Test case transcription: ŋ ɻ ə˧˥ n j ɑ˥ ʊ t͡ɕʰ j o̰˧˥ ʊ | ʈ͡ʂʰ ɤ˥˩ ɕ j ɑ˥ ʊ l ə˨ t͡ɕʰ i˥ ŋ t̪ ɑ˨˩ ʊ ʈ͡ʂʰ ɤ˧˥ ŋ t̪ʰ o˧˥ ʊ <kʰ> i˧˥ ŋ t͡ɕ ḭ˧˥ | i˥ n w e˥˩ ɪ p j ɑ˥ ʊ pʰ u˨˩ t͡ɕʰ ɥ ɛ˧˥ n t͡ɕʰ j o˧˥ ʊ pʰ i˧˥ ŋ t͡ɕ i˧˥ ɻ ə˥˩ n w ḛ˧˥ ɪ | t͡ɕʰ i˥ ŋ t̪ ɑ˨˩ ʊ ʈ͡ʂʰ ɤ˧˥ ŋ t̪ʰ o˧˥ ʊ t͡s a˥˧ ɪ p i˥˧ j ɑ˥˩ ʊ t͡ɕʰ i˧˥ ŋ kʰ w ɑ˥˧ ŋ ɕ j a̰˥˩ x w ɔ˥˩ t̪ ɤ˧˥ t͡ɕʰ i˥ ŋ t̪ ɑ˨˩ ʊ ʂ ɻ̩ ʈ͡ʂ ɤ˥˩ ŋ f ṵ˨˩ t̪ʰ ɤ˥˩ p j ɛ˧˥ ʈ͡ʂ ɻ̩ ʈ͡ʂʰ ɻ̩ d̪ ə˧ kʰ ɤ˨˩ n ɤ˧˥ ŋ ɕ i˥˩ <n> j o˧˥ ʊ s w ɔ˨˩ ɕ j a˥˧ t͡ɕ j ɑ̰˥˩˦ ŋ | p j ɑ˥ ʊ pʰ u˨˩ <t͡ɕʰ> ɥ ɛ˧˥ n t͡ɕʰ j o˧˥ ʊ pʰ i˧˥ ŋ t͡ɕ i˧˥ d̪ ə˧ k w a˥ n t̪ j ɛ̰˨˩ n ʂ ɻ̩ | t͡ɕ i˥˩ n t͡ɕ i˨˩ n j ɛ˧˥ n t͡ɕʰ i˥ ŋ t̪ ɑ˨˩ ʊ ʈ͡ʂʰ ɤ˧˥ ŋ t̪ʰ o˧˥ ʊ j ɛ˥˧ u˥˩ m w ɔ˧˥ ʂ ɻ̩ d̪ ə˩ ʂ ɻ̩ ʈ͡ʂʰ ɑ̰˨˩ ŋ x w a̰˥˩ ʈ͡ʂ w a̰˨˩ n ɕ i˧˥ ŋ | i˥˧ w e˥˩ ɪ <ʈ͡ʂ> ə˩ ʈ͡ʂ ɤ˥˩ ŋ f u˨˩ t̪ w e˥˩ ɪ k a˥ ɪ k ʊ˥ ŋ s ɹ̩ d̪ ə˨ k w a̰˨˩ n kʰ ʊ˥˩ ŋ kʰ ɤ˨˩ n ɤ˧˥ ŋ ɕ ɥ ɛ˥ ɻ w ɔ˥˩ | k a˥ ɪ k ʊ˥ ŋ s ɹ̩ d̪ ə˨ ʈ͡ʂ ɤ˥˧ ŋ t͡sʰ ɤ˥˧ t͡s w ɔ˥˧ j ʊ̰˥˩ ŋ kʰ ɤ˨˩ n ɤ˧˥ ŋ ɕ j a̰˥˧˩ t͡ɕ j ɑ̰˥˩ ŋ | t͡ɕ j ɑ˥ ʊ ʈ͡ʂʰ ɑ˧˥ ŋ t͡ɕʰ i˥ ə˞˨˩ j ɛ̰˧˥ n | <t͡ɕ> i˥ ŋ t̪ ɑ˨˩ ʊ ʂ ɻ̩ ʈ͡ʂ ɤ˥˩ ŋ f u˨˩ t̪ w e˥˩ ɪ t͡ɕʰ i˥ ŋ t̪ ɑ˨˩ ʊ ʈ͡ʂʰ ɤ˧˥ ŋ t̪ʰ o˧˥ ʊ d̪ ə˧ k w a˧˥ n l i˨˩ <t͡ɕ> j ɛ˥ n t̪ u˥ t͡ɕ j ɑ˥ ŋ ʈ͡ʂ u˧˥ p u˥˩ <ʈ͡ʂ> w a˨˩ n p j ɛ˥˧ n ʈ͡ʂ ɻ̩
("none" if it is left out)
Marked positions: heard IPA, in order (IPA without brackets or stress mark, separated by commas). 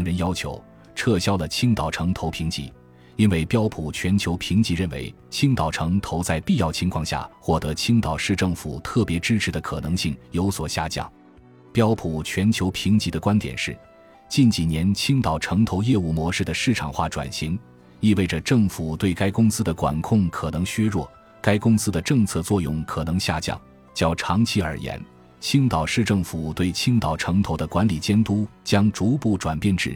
pʰ, ŋ, t͡ɕʰ, ʈ͡ʂ, t͡ɕʰ, t͡ɕ, ʈ͡ʂ